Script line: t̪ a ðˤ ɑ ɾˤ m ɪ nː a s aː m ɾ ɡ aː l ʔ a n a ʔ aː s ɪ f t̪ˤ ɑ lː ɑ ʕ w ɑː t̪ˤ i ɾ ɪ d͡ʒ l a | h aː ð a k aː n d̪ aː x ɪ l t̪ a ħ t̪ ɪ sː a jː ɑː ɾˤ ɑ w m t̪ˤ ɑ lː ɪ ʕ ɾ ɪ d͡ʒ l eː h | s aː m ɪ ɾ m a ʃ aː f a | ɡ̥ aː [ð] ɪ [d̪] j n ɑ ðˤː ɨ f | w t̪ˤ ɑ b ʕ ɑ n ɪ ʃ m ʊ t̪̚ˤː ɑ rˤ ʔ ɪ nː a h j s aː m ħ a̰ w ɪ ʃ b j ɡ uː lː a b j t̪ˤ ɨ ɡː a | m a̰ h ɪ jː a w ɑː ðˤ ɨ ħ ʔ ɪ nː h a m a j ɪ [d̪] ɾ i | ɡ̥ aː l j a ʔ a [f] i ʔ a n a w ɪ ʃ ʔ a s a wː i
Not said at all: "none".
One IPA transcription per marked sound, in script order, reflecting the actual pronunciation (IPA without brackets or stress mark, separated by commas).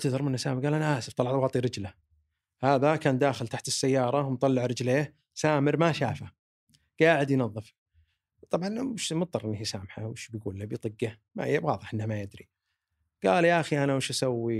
ʕ, d̪, d̪, x